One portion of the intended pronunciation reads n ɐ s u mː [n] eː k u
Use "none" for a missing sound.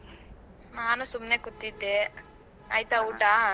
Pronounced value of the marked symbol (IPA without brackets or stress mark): n